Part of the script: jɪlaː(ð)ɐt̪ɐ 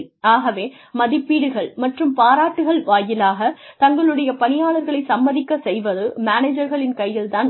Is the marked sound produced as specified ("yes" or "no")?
no